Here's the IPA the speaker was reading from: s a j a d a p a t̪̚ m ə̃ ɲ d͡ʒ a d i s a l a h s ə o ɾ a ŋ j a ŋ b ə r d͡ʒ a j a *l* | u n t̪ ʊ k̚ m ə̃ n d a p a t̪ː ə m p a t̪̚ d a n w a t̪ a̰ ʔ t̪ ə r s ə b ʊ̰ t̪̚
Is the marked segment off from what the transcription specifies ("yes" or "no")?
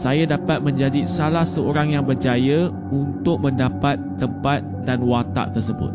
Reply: yes